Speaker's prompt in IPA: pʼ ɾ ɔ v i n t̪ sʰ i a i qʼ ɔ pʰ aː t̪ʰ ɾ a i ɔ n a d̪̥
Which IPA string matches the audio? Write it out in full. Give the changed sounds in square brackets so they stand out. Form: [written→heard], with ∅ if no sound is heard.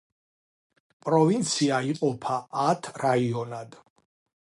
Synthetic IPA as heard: pʼ ɾ ɔ v i n t̪ sʰ i a i qʼ ɔ pʰ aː t̪ʰ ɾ a i ɔ n a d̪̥